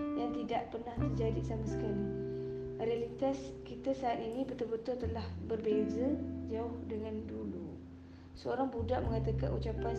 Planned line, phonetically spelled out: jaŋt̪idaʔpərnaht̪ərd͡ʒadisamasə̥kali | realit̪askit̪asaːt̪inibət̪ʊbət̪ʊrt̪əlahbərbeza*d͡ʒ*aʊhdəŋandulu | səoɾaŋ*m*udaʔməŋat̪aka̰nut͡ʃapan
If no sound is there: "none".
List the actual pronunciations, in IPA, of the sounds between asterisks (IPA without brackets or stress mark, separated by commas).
d͡ʒ, b